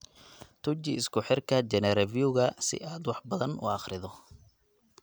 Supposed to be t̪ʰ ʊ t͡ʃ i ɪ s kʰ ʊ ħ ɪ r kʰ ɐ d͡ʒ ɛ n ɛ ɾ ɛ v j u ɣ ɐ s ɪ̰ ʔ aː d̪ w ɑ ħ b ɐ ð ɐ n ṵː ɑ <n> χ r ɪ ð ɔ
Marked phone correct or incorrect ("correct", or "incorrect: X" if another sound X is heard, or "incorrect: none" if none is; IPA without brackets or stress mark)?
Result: incorrect: none